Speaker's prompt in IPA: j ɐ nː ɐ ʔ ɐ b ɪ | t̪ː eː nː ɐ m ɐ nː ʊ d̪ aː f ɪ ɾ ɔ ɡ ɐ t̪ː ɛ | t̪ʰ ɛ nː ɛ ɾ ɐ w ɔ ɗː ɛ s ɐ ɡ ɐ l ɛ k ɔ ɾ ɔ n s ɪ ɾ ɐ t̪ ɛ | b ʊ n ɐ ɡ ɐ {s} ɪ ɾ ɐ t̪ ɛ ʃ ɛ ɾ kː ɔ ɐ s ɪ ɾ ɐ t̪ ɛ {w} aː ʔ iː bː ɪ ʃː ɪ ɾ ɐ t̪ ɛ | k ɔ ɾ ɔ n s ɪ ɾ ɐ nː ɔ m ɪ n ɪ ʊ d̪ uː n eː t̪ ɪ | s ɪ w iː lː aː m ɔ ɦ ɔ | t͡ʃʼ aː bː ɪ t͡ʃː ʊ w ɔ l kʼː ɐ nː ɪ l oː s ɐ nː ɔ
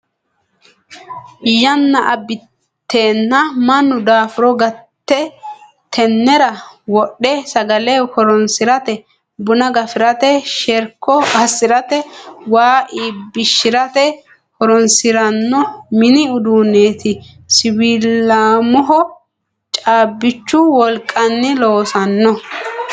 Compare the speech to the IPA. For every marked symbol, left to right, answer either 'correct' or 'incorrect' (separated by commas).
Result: incorrect, correct